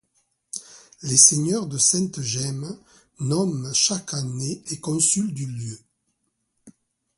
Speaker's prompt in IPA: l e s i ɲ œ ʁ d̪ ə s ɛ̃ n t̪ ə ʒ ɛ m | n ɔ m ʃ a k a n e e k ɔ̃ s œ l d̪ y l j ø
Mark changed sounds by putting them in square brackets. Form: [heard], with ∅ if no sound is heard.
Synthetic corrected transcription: l e s [e] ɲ œ ʁ d̪ ə s ɛ̃ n t̪ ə ʒ ɛ m | n ɔ m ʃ a k a n e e k ɔ̃ s [y] l d̪ y l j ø